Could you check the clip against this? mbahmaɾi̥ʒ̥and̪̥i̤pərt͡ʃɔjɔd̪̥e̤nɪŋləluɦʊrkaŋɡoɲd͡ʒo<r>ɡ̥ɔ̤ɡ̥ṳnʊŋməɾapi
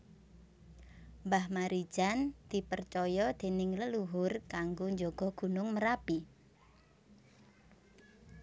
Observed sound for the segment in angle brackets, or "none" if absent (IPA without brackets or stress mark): none